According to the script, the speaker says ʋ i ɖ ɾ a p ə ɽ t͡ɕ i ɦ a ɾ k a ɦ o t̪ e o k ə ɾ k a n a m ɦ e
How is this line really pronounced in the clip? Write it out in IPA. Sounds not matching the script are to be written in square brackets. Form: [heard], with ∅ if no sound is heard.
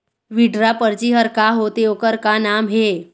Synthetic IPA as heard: ʋ i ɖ ɾ a p ə [ɾ] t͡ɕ i ɦ [ə] ɾ k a ɦ o t̪ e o k ə ɾ k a n a m ɦ e